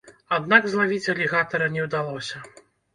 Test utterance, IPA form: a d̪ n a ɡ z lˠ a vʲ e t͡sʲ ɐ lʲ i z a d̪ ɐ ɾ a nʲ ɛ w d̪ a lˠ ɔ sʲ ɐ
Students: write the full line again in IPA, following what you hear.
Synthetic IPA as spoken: a d̪ n a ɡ z lˠ a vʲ i t͡sʲ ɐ lʲ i ɣ a t̪ ɐ ɾ ɐ nʲ ɛ w d̪ a lˠ ɔ sʲ ɐ